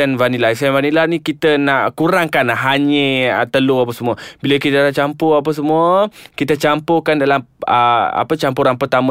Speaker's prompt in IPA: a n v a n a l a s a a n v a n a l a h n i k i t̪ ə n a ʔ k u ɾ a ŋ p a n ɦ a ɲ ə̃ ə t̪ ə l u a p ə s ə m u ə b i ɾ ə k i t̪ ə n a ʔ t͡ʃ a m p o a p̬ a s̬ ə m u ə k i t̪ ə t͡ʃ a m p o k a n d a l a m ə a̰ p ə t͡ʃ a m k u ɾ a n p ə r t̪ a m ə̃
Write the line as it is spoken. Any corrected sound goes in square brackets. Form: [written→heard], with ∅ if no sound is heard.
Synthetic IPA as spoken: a n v a n [a→i] l a s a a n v a n [a→i] l a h n i k i t̪ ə n a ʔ k u ɾ a ŋ [p→k] a n ɦ a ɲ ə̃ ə t̪ ə l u a p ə s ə m u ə b i [ɾ→l] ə k i t̪ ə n a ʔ t͡ʃ a m p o a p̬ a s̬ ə m u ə k i t̪ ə t͡ʃ a m p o k a n d a l a m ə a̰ p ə t͡ʃ a m [k→p] u ɾ a n p ə r t̪ a m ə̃